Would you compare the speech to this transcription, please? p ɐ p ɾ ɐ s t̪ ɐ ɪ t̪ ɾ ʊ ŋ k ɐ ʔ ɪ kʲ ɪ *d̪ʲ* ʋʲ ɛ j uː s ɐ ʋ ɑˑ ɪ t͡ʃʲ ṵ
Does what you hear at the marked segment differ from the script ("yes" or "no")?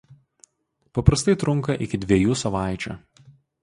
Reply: no